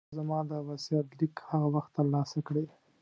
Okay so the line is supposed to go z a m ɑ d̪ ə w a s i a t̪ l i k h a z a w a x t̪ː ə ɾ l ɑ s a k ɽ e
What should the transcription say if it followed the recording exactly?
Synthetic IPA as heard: z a m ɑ d̪ ə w a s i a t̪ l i k h a ɣ a w a x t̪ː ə ɾ l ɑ s a k ɽ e